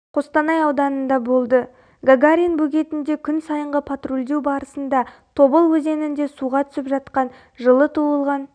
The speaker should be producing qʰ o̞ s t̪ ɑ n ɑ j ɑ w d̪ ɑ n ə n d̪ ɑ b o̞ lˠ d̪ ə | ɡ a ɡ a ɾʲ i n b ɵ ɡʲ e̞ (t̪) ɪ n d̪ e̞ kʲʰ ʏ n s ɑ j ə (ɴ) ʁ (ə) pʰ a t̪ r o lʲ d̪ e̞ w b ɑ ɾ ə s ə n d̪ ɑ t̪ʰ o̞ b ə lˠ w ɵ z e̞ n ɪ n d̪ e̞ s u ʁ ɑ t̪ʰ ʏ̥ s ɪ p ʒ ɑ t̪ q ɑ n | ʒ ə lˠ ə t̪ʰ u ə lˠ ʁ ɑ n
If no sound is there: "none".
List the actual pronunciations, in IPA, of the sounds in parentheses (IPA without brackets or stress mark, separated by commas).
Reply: t̪, ɴ, ə